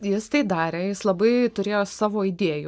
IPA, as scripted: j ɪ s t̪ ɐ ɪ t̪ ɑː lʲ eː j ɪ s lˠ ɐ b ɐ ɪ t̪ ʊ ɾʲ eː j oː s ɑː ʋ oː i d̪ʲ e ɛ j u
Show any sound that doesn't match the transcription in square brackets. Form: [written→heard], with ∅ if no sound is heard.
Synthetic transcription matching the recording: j ɪ s t̪ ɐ ɪ [t̪→d̪] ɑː [lʲ→ɾʲ] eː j ɪ s lˠ ɐ b ɐ ɪ t̪ ʊ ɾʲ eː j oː s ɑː ʋ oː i d̪ʲ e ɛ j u